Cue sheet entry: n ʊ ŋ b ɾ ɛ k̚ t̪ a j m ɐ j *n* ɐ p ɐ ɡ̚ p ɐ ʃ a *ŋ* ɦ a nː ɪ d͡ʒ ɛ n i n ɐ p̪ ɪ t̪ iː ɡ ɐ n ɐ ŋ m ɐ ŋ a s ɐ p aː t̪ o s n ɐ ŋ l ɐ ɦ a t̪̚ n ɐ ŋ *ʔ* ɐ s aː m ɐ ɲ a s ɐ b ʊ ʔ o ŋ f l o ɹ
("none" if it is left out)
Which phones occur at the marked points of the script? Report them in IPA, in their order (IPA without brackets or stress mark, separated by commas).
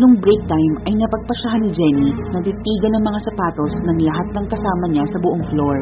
n, none, k